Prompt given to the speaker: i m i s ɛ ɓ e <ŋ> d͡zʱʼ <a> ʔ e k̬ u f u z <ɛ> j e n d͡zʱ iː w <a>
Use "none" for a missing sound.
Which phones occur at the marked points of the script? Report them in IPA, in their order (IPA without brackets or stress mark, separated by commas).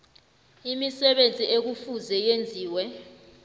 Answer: n, i, ɛ, ɛ